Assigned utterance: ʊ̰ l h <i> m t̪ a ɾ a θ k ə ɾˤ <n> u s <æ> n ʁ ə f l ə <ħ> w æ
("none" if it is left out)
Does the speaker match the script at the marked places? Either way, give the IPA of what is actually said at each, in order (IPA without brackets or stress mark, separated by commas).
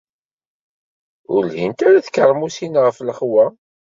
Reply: i, m, i, χ